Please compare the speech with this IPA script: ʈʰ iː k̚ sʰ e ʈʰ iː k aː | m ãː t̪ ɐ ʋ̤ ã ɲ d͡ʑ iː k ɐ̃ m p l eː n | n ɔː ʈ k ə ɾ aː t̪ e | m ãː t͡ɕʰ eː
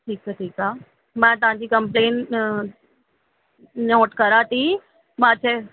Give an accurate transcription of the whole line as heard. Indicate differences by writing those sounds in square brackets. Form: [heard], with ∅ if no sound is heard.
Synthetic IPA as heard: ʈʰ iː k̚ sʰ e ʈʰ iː k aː | m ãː t̪ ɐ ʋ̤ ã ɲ d͡ʑ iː k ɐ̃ m p l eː n | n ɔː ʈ k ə ɾ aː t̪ [i] | m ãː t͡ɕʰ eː